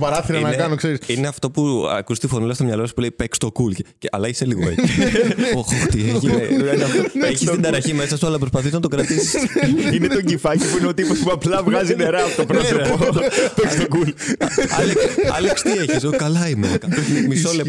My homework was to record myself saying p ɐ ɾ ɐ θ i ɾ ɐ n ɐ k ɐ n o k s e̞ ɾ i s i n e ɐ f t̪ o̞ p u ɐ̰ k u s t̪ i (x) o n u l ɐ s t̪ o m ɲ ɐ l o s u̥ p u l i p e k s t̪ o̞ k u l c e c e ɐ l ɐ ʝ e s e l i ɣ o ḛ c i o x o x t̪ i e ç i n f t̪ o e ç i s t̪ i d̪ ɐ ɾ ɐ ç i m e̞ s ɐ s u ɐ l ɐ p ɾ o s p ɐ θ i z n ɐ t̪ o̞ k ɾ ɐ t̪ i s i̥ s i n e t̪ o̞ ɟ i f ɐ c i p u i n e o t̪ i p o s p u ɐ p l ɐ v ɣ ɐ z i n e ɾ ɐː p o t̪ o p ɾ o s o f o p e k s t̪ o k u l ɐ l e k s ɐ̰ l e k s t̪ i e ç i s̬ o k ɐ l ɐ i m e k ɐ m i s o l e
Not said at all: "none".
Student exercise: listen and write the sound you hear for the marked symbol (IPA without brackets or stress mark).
f